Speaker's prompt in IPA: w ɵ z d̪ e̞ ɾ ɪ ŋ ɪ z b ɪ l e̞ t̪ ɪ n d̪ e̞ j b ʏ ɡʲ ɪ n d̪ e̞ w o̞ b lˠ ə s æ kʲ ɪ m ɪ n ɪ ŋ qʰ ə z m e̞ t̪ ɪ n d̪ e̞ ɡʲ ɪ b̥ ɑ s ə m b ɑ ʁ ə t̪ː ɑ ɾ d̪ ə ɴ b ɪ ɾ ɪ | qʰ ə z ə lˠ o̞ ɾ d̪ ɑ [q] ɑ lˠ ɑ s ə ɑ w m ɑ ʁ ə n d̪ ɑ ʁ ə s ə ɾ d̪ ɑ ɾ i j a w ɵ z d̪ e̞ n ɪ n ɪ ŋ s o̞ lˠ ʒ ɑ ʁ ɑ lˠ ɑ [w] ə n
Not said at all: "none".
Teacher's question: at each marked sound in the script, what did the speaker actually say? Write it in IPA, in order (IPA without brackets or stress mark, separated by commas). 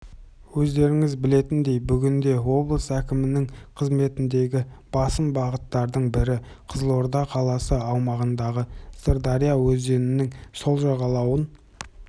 qʰ, w